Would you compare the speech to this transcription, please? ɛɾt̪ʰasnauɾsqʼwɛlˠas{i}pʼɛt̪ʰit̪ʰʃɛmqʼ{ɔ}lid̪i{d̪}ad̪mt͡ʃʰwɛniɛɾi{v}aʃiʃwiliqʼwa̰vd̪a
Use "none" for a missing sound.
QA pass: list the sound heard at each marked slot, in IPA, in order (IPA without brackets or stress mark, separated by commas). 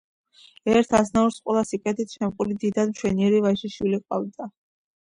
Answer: i, u, d̪, v